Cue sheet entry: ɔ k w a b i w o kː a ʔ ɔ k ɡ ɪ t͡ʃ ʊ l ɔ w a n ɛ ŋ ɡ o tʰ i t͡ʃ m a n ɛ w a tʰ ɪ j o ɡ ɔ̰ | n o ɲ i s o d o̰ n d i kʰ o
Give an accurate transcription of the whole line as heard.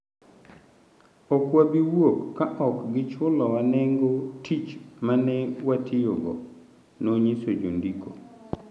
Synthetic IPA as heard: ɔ k w a b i w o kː a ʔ ɔ k ɡ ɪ t͡ʃ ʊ l ɔ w a n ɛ ŋ ɡ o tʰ i t͡ʃ m a n ɛ w a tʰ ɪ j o ɡ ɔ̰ | n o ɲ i s o d͡ʒ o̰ n d i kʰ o